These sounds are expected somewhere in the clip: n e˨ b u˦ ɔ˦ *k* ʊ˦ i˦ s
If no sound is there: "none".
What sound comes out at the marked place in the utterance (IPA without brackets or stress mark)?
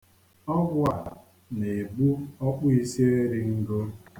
k͡p